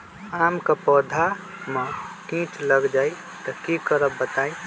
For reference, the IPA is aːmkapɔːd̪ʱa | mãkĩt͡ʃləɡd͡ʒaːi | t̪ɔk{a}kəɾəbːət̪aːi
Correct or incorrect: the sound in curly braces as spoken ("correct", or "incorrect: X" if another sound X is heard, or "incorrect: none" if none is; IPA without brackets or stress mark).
incorrect: i